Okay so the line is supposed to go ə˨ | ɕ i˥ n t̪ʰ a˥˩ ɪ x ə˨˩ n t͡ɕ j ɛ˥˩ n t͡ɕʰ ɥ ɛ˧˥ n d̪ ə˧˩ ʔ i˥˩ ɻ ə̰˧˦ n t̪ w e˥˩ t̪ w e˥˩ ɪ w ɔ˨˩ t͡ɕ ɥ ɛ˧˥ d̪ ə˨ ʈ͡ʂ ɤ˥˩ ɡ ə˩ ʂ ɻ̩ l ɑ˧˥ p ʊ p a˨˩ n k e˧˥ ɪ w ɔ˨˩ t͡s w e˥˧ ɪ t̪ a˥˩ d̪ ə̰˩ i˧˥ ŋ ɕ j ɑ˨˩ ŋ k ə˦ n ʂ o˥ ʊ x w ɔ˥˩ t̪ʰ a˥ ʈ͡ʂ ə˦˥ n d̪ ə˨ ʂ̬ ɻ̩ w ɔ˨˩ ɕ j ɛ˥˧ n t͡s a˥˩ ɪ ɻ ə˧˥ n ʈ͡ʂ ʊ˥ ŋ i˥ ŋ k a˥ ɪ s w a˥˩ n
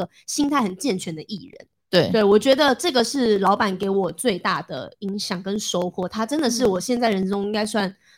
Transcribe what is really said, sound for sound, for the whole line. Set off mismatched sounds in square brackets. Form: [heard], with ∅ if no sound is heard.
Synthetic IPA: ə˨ | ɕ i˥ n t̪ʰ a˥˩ ɪ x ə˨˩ n t͡ɕ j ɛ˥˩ n t͡ɕʰ ɥ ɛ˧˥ n d̪ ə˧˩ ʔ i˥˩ ɻ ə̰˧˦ n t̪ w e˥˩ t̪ w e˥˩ ɪ w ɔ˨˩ t͡ɕ ɥ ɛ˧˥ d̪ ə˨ ʈ͡ʂ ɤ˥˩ ɡ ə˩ ʂ ɻ̩ l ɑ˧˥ [∅] ʊ p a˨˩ n k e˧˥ ɪ w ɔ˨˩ t͡s w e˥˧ ɪ t̪ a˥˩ d̪ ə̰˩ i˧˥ ŋ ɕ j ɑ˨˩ ŋ k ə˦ n ʂ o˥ ʊ x w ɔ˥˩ t̪ʰ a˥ ʈ͡ʂ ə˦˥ n d̪ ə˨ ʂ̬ ɻ̩ w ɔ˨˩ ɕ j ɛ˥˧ n t͡s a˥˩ ɪ ɻ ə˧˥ n ʈ͡ʂ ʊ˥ ŋ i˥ ŋ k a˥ ɪ s w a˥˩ n